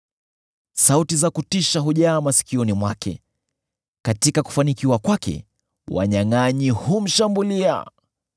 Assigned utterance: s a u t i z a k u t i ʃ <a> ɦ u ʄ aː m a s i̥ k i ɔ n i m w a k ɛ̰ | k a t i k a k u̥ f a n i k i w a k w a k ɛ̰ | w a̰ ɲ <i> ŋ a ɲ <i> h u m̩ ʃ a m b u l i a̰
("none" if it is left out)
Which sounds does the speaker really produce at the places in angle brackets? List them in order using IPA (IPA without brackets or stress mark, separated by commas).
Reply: a, a, i